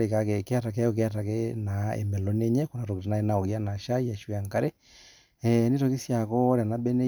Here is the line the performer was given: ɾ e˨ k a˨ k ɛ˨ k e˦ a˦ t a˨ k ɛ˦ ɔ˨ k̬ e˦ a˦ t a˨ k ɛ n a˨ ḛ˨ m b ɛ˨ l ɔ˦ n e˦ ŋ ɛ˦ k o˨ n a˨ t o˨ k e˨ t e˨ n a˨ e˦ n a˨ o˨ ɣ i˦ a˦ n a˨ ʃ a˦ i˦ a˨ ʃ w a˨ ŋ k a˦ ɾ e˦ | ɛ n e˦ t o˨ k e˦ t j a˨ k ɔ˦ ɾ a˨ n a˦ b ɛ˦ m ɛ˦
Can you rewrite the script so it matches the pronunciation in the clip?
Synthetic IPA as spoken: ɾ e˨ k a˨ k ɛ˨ k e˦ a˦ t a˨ k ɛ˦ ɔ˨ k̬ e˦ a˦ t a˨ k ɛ n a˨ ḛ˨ m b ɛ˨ l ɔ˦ n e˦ ɲ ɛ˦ k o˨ n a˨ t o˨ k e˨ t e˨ n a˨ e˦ n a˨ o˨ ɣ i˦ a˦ n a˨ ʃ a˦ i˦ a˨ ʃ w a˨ ŋ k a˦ ɾ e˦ | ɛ n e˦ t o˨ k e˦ s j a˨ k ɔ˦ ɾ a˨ n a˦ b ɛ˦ n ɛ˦